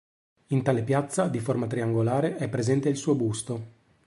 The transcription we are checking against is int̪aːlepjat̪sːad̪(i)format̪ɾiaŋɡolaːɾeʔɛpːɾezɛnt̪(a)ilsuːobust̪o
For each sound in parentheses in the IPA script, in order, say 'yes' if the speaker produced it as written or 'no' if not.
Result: yes, no

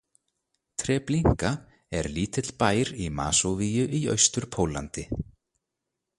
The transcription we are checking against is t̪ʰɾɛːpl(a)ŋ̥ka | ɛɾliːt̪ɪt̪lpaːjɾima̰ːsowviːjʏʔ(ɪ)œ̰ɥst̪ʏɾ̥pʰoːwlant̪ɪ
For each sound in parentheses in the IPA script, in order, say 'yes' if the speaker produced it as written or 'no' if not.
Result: no, no

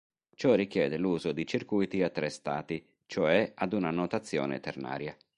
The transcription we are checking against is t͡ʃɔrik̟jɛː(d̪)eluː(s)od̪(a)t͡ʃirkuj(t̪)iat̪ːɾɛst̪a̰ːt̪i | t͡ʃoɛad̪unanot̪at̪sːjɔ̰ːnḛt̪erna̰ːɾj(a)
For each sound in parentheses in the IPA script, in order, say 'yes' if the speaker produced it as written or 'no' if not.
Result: yes, no, no, yes, yes

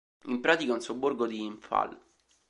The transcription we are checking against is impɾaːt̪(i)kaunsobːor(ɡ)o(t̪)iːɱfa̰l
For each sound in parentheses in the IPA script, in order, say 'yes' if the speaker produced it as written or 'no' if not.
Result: yes, yes, no

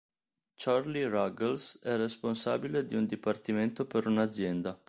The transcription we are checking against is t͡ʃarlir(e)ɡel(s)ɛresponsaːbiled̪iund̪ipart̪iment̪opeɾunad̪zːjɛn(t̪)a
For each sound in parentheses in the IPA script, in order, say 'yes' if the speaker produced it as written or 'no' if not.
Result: no, yes, no

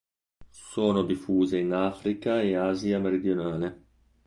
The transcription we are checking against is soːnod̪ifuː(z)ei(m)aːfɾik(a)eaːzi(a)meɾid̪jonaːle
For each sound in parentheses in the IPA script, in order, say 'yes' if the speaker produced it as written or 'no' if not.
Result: yes, no, yes, yes

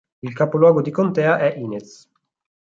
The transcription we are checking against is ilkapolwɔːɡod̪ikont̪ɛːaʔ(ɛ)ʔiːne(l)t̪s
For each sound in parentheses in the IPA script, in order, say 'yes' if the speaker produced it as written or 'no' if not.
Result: yes, no

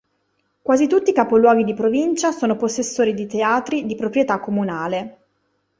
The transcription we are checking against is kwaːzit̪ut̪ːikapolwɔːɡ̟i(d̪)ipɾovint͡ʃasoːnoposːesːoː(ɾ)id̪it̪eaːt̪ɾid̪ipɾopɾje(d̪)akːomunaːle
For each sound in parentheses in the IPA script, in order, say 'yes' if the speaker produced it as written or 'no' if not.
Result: yes, yes, no

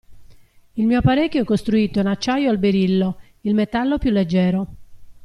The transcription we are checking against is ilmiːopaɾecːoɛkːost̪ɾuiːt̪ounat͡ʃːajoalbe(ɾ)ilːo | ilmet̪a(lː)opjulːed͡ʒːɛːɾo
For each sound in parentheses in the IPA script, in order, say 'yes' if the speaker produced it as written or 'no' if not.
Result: yes, yes

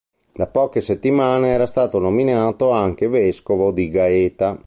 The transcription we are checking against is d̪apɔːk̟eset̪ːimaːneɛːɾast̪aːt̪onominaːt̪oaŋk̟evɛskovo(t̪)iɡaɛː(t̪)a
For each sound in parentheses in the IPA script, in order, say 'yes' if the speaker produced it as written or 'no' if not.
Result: no, yes

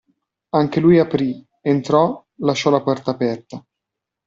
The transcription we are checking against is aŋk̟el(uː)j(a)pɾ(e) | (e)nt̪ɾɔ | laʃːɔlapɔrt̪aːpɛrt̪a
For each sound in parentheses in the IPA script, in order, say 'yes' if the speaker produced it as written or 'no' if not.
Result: no, yes, no, yes

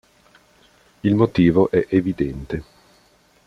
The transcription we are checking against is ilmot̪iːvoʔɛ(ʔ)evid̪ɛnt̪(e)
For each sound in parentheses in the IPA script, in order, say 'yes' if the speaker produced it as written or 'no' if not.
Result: yes, yes

